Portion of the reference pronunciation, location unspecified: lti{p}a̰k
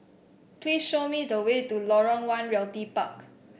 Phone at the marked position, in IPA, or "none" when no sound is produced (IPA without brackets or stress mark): p